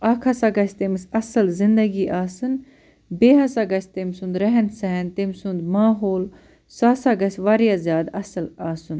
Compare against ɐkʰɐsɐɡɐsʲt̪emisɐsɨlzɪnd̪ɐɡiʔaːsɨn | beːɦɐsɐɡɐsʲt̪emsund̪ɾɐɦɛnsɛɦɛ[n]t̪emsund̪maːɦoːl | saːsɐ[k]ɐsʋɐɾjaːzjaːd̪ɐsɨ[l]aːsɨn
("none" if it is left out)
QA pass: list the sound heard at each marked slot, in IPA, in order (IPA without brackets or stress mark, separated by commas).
n, ɡ, l